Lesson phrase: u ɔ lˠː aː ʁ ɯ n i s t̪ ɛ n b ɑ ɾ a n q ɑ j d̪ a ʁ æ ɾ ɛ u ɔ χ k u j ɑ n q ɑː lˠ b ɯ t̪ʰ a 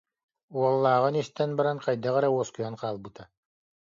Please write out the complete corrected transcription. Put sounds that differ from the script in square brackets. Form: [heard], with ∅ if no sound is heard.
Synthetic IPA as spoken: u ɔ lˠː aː ʁ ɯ n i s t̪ ɛ n b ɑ ɾ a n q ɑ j d̪ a ʁ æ ɾ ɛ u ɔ [s] k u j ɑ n q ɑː lˠ b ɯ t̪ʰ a